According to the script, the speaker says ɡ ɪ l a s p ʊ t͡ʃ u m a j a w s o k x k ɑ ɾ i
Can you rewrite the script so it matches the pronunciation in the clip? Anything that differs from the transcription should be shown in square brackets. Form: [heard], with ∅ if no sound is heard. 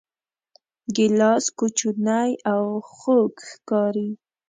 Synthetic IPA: ɡ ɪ l [ɑ] s [k] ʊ t͡ʃ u [n] a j a w [x] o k x k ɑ ɾ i